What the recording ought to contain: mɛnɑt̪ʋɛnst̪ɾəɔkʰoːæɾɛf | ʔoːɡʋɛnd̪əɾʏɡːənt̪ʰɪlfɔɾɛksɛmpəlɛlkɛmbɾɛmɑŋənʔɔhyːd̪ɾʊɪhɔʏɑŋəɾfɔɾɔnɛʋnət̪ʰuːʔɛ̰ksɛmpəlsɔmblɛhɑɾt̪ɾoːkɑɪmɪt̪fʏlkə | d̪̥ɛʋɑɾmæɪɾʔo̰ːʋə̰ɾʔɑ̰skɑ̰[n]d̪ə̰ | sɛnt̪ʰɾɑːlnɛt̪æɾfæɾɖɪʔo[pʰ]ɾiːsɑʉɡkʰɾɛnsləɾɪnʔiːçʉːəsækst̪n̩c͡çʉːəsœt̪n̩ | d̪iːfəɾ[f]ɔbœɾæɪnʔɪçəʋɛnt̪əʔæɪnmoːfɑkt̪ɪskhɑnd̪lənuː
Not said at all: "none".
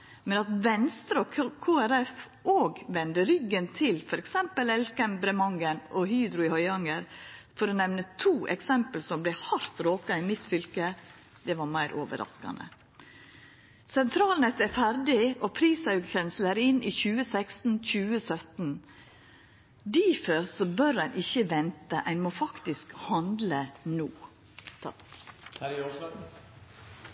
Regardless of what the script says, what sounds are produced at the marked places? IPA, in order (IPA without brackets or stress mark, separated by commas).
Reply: n, pʰ, s